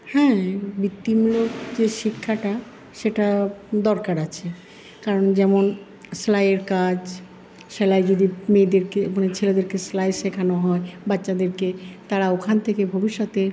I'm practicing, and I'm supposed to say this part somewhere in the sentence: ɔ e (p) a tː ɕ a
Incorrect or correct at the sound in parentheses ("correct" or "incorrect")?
incorrect